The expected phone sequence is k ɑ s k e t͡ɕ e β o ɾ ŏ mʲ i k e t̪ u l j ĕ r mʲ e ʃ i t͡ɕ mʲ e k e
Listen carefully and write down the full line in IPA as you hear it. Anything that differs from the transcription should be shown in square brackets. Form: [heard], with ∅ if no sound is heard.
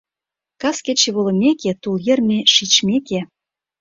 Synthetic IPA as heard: k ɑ s k e t͡ɕ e β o [l] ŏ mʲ [e] k e t̪ u l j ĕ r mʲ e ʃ i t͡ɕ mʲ e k e